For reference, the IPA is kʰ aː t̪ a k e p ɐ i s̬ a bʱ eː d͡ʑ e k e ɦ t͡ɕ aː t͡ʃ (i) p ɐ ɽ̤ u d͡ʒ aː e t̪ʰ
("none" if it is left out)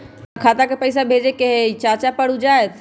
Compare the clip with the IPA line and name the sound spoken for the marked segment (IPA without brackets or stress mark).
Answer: a